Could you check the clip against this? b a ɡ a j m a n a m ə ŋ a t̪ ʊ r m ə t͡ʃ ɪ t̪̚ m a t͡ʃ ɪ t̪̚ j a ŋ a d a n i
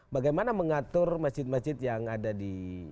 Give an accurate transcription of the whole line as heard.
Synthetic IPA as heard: b a ɡ a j m a n a m ə ŋ a t̪ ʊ r m a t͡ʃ ɪ t̪̚ m a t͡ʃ ɪ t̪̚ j a ŋ a d a d i